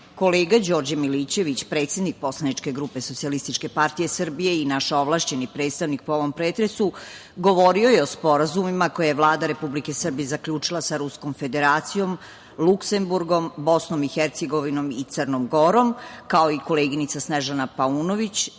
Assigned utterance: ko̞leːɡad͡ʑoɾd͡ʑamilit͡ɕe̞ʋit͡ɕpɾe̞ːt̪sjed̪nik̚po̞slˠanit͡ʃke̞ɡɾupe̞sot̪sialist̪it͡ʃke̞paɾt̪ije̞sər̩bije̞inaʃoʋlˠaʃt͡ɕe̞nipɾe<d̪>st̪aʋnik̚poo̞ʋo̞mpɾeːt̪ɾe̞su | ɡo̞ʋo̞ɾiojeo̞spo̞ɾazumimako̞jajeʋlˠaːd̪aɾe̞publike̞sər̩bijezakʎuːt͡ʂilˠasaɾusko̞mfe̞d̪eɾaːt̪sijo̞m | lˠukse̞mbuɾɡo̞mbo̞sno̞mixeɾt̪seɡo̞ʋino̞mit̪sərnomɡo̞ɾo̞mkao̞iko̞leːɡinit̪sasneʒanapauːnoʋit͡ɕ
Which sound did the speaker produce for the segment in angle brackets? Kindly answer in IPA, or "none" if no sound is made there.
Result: t̪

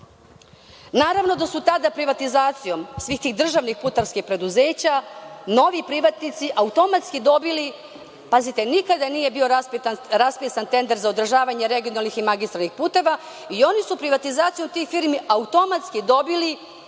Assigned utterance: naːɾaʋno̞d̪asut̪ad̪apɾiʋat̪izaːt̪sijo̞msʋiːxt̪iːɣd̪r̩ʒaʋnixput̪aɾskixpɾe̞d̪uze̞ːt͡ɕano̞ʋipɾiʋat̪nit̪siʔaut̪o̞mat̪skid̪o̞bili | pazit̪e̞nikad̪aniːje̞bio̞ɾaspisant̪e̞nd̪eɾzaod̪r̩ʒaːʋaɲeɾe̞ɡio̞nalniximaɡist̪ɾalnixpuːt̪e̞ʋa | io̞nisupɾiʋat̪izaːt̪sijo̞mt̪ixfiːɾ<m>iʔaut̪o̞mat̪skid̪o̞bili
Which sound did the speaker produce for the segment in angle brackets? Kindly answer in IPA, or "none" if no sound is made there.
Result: m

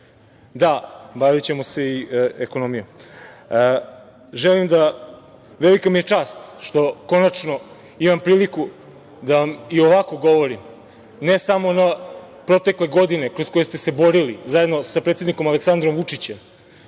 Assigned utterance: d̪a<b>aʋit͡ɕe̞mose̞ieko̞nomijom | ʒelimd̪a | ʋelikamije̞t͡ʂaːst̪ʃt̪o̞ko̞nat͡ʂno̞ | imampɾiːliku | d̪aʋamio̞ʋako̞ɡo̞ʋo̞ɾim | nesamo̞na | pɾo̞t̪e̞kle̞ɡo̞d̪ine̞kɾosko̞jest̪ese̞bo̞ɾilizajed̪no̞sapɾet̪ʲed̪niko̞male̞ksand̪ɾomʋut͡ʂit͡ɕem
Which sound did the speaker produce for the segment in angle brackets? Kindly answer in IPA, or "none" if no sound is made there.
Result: b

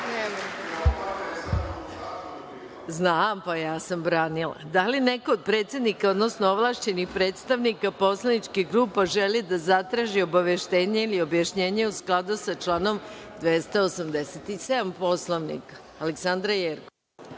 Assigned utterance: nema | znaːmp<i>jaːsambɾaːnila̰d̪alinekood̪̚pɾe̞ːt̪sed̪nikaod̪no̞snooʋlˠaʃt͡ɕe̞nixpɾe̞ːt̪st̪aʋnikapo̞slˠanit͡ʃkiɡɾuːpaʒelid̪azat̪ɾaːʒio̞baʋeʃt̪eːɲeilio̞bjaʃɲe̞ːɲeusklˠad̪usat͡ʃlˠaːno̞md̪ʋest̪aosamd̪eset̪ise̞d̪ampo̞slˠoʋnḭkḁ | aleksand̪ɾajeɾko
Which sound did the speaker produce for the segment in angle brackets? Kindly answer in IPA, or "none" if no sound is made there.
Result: a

